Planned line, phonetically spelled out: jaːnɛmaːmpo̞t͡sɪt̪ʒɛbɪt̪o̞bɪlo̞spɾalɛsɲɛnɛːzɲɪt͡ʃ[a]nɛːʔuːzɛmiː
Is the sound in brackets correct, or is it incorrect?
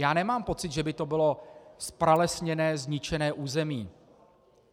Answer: incorrect